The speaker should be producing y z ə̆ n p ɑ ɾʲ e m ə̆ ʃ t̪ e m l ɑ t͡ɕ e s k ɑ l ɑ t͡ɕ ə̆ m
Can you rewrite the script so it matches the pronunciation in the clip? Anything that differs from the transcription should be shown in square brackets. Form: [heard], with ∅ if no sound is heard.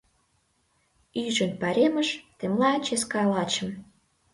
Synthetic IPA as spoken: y [ʒ] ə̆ n p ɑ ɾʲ e m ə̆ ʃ t̪ e m l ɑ t͡ɕ e s k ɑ l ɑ t͡ɕ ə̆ m

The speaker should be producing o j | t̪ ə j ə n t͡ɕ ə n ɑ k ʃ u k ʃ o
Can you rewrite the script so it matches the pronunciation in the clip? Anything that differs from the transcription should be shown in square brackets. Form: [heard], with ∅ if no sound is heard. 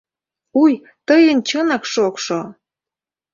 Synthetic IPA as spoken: [u] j | t̪ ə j ə n t͡ɕ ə n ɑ k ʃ [o] k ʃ o

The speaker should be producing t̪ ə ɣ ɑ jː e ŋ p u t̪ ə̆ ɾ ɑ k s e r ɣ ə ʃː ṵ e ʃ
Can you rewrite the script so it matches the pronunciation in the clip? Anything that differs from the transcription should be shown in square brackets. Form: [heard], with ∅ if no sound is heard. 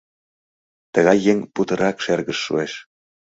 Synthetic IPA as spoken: t̪ ə ɣ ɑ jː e ŋ p u t̪ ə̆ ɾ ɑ k [ʃ] e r ɣ ə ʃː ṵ e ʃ

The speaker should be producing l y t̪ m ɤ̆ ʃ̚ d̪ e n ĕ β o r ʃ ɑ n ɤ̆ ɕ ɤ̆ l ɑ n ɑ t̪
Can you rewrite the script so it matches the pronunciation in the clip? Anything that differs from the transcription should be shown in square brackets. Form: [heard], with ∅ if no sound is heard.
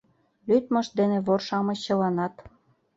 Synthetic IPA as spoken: l y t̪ m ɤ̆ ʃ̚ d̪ e n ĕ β o r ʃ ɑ [m] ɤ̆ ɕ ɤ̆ l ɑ n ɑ t̪

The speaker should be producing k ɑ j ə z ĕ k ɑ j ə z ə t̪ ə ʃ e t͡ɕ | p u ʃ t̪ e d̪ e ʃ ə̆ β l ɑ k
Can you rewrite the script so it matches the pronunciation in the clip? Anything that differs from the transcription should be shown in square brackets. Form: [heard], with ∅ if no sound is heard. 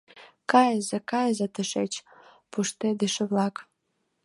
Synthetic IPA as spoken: k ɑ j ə z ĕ k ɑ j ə z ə t̪ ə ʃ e t͡ɕ | p u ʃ t̪ e d̪ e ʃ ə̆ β l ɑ k

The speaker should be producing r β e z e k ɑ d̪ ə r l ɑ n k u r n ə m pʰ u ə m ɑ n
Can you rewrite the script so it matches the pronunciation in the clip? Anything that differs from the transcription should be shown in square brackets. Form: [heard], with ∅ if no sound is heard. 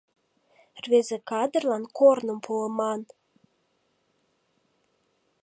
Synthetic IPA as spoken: r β e z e k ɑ d̪ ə r l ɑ n k [o] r n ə m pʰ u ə m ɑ n

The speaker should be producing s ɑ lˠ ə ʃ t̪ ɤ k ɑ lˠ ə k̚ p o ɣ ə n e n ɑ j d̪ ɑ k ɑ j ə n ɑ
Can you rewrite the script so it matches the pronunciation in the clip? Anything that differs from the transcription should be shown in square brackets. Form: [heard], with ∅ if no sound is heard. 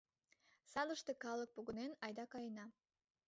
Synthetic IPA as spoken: s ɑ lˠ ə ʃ t̪ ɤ k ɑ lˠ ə k̚ p o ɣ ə n e n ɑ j d̪ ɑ k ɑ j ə n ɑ

